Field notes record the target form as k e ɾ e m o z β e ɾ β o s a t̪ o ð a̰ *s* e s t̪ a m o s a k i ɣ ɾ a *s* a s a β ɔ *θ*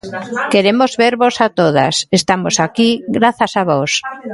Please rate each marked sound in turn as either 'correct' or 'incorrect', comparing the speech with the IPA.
correct, incorrect: θ, incorrect: s

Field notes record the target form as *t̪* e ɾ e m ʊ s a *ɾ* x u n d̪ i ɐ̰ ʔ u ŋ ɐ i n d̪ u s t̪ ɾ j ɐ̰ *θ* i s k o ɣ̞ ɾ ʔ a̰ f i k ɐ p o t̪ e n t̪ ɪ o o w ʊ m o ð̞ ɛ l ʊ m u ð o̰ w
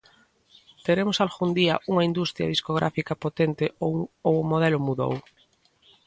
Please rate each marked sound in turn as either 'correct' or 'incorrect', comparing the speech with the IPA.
correct, incorrect: l, incorrect: ð

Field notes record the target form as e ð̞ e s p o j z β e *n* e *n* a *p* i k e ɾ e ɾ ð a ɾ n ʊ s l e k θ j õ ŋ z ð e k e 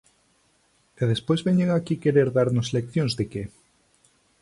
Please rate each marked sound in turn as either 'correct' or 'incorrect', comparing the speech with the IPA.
incorrect: ɲ, incorrect: ŋ, incorrect: k

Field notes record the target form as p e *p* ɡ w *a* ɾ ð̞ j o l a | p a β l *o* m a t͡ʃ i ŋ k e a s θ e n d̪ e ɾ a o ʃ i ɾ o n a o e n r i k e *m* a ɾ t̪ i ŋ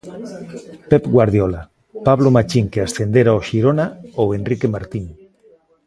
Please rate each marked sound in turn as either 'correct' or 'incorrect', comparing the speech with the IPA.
correct, correct, correct, correct

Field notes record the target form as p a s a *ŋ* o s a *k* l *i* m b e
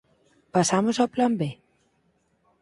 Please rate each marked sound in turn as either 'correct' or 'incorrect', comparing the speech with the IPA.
incorrect: m, incorrect: p, incorrect: a

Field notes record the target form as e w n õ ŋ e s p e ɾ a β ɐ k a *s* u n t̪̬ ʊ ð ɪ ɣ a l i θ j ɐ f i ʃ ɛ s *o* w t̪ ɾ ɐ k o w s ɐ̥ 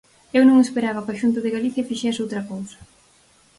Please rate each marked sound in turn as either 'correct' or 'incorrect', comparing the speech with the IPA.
incorrect: ʃ, correct

